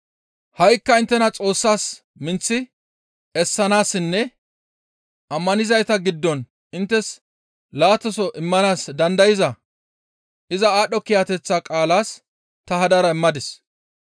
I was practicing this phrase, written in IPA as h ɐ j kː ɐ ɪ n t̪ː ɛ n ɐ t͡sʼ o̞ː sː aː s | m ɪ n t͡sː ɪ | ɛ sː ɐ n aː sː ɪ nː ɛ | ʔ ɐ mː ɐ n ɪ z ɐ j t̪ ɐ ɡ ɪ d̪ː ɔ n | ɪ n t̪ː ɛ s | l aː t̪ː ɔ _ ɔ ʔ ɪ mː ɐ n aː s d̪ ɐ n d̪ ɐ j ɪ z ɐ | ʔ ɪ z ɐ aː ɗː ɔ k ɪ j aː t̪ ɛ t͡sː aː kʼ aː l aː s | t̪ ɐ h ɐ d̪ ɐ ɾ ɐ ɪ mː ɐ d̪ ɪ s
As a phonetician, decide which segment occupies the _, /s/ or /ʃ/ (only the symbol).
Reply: s